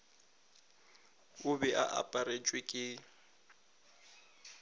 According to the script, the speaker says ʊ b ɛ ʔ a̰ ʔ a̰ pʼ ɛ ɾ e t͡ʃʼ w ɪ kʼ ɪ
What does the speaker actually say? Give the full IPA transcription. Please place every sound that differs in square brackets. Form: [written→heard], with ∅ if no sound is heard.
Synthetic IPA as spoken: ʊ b ɛ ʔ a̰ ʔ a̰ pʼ [ɛ→a] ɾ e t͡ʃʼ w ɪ kʼ ɪ